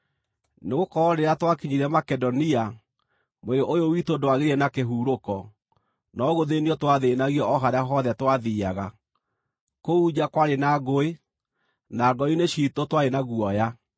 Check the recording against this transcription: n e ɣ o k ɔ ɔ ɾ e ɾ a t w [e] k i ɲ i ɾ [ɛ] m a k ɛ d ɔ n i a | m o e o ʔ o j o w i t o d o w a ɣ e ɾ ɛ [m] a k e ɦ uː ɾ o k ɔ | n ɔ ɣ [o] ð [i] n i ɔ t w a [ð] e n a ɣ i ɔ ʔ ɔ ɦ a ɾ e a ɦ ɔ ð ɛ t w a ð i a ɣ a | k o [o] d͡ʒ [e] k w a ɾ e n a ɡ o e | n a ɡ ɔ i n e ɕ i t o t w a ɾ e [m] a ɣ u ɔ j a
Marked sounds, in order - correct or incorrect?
incorrect, correct, incorrect, correct, incorrect, correct, incorrect, incorrect, incorrect

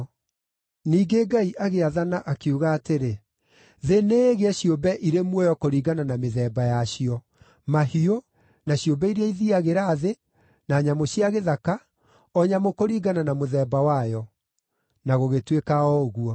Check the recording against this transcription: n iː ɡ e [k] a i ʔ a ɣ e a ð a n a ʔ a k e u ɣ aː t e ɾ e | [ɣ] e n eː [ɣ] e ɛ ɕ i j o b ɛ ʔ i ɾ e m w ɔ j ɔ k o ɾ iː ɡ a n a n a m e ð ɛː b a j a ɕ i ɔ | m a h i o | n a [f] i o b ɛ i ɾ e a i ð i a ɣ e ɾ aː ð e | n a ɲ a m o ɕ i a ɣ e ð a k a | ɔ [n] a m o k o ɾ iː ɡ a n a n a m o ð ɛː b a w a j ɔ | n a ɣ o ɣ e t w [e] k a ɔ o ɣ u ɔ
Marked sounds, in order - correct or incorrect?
incorrect, incorrect, correct, incorrect, incorrect, correct

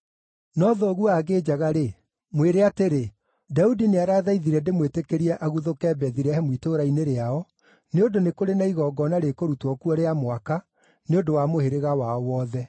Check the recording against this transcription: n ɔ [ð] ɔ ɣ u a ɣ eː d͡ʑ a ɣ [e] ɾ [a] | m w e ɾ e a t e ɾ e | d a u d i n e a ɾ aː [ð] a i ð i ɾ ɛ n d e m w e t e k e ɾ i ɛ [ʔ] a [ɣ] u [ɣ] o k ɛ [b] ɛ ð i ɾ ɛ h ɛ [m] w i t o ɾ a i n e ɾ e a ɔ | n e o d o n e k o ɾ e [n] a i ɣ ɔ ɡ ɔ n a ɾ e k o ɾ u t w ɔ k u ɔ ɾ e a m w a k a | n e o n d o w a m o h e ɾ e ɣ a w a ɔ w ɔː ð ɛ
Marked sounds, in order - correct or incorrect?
correct, incorrect, incorrect, correct, correct, correct, incorrect, correct, correct, correct

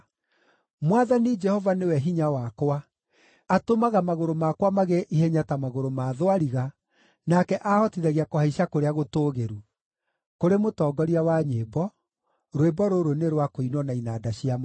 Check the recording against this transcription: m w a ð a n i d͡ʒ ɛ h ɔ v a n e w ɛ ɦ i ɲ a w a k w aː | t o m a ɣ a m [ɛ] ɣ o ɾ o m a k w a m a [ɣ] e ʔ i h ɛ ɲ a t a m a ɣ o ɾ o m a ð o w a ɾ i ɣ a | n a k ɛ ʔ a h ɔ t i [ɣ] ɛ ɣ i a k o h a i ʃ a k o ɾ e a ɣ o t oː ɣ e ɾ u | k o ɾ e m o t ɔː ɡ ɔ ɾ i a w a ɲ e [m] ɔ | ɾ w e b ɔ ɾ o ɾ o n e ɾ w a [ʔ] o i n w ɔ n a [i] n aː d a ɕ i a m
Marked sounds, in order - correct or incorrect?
incorrect, correct, incorrect, incorrect, incorrect, correct

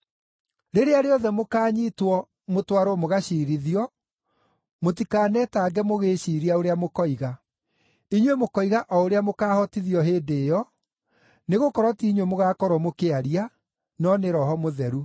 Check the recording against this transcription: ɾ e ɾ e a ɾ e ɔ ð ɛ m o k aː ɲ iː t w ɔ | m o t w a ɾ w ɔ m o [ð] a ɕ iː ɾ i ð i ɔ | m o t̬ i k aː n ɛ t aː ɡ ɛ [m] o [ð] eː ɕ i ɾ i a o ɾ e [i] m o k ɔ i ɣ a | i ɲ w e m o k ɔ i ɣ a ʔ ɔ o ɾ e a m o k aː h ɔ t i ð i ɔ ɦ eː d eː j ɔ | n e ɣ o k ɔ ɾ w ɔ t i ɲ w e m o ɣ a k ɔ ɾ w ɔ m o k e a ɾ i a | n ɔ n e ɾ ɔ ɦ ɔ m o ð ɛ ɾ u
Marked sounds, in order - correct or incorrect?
incorrect, correct, incorrect, incorrect

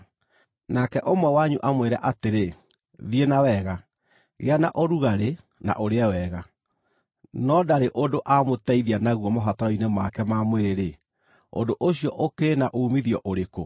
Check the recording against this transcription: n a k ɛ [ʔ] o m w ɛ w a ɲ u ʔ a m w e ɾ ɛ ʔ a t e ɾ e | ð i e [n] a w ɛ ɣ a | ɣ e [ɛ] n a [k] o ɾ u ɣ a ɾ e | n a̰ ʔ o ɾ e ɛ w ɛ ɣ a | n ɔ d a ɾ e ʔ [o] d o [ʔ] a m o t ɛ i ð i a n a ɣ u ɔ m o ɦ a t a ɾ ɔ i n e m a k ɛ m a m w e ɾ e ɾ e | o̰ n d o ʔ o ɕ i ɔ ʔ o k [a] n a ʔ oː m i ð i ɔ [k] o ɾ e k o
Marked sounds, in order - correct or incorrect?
correct, correct, incorrect, incorrect, correct, correct, incorrect, incorrect

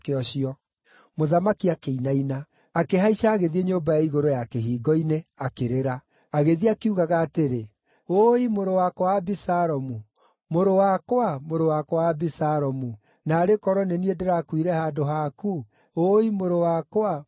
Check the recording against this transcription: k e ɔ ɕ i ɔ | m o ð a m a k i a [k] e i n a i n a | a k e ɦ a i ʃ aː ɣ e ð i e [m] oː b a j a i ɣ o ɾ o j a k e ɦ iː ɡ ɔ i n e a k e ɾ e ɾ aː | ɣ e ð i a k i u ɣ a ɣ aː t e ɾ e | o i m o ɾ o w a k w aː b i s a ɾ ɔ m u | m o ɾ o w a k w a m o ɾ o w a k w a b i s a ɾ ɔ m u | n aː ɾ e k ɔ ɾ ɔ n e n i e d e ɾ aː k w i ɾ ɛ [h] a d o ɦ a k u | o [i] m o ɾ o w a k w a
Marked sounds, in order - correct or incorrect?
correct, incorrect, correct, correct

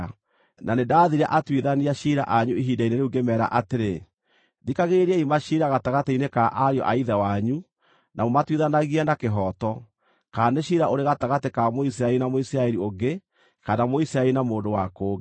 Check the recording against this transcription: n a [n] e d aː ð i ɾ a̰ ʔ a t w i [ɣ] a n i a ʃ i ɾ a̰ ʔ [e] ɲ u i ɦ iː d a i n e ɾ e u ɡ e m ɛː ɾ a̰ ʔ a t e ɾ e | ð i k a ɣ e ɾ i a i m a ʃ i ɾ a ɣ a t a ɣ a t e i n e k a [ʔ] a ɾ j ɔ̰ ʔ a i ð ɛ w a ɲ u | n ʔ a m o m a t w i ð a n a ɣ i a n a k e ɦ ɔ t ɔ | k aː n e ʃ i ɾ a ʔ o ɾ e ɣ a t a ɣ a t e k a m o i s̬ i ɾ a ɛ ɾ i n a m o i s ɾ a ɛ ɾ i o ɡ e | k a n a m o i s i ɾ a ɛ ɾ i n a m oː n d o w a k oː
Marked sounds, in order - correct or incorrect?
correct, incorrect, incorrect, correct

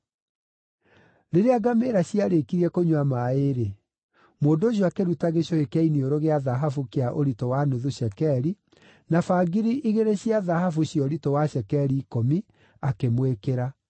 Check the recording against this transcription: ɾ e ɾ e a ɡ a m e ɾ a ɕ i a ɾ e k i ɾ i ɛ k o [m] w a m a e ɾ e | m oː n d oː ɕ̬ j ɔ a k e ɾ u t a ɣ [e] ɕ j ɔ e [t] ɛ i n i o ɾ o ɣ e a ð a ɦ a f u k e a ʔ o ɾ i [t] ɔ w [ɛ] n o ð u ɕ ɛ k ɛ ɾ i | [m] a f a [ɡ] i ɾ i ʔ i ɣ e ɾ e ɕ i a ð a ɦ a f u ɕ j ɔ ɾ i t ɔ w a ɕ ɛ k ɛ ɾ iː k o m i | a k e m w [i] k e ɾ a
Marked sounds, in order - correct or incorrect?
incorrect, correct, incorrect, correct, incorrect, incorrect, correct, incorrect

